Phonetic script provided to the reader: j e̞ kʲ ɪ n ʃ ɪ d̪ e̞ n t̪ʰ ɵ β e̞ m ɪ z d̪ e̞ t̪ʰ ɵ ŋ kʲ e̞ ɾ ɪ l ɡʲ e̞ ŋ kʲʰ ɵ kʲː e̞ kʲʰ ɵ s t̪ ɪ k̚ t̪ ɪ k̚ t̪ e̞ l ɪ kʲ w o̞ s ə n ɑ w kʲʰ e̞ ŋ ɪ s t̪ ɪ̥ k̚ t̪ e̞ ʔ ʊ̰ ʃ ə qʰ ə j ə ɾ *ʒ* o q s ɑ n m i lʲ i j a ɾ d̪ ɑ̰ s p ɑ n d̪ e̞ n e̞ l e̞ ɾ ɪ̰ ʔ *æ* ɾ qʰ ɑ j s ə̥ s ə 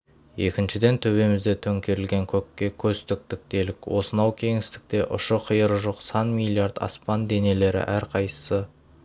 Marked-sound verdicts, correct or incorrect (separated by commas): correct, correct